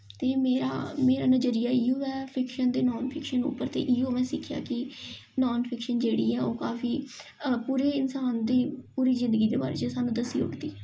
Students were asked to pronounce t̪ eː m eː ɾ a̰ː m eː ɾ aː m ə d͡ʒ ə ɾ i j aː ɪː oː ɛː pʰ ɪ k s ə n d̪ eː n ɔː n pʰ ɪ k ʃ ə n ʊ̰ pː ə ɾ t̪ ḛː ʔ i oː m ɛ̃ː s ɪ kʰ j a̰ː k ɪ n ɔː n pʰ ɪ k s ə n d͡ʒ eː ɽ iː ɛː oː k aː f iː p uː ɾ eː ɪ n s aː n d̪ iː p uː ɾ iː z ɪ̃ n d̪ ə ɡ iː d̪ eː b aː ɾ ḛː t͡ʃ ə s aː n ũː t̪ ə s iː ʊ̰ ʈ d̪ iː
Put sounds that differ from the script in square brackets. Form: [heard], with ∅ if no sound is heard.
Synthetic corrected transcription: t̪ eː m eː ɾ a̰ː m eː ɾ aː [n] ə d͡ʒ ə ɾ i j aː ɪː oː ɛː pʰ ɪ k [ʃ] ə n d̪ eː n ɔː n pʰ ɪ k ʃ ə n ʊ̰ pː ə ɾ t̪ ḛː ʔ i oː m ɛ̃ː s ɪ kʰ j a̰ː k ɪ n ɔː n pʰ ɪ k [ʃ] ə n d͡ʒ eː ɽ iː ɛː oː k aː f iː p uː ɾ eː ɪ n s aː n d̪ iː p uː ɾ iː z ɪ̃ n d̪ ə ɡ iː d̪ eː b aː ɾ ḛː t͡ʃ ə s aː n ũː [d̪] ə s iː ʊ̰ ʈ d̪ iː